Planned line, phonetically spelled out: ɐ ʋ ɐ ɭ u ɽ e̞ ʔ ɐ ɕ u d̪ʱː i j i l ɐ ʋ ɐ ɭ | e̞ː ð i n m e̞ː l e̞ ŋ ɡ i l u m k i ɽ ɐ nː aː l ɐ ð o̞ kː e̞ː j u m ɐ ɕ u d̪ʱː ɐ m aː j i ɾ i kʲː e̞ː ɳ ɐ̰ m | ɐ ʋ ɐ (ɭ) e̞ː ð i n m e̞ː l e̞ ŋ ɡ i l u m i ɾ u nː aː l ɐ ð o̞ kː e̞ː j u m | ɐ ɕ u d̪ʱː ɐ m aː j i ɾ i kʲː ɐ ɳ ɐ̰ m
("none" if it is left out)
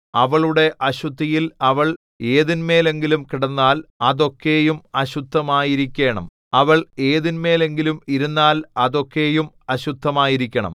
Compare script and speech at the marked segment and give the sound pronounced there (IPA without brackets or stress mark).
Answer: ɭ